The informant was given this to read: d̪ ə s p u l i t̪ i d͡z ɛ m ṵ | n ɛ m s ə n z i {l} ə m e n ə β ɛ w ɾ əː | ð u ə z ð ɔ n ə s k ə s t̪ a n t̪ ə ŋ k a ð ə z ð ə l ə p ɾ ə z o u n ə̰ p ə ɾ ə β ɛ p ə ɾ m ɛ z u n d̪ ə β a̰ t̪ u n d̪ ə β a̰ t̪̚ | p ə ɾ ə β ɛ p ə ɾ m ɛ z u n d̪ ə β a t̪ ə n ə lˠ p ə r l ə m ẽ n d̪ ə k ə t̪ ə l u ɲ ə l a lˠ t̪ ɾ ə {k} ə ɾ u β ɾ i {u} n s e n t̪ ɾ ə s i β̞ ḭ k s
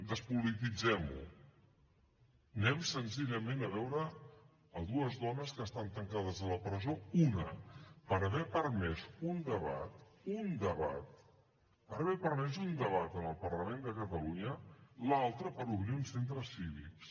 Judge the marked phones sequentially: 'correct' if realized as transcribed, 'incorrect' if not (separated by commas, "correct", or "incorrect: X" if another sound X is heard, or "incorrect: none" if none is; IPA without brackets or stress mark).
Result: incorrect: ʎ, incorrect: p, correct